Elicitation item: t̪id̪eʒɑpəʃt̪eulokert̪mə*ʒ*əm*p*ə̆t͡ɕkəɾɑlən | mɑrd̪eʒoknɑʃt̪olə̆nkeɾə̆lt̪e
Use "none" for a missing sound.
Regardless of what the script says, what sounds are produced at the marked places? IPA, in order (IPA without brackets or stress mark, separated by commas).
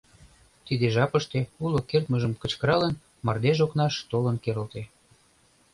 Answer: ʒ, k